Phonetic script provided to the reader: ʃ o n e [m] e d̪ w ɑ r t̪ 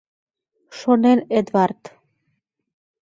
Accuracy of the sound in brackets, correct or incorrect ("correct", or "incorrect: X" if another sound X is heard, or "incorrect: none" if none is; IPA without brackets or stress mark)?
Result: incorrect: n